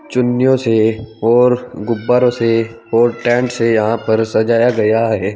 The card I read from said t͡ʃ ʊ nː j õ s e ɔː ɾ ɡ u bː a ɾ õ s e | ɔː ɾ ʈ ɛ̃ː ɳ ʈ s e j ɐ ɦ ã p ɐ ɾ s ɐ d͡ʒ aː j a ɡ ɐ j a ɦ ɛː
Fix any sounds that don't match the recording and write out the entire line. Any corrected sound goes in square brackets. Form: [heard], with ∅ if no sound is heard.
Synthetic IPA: t͡ʃ ʊ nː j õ s e ɔː ɾ ɡ [ʊ] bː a ɾ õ s e | ɔː ɾ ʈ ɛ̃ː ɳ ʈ s e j ɐ ɦ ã p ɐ ɾ s ɐ d͡ʒ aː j a ɡ ɐ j a ɦ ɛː